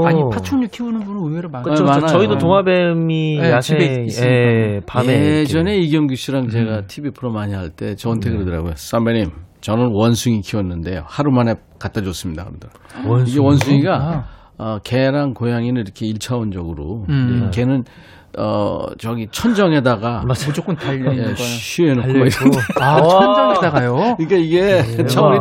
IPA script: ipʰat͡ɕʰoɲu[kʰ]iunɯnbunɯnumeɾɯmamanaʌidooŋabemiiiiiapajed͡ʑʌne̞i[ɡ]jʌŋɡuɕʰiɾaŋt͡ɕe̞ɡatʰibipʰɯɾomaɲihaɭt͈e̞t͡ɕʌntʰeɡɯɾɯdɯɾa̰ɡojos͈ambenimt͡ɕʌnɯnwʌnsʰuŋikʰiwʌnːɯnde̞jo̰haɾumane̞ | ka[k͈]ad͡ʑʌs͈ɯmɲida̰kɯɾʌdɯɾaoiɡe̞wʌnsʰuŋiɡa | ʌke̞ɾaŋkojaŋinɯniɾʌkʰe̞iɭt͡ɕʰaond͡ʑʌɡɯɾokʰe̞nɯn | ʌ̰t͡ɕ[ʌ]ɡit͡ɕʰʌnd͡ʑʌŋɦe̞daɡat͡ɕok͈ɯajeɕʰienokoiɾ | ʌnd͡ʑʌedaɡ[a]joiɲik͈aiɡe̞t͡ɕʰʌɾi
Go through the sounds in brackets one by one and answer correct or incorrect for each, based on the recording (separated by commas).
correct, correct, incorrect, correct, correct